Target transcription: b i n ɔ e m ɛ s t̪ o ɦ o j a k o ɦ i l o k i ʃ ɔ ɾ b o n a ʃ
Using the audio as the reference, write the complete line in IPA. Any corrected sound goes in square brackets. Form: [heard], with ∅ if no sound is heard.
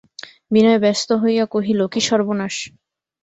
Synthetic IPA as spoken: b i n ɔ e [b] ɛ s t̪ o ɦ o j a k o ɦ i l o k i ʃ ɔ ɾ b o n a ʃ